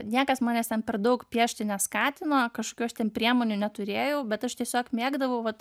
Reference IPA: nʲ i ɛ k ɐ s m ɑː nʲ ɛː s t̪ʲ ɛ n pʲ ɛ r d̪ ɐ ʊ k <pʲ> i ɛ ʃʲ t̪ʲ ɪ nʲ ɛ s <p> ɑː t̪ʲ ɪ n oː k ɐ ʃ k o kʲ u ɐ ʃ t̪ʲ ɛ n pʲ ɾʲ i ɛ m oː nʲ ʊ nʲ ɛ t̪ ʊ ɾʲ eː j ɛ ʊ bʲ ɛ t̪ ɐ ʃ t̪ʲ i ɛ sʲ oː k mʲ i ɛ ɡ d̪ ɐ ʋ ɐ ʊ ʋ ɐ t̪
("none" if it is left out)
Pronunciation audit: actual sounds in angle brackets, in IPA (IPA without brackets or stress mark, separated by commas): pʲ, k